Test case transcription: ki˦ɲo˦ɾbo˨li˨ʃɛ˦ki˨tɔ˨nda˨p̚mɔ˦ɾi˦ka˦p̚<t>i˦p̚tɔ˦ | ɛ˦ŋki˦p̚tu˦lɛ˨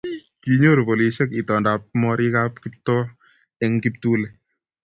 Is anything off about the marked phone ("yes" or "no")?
yes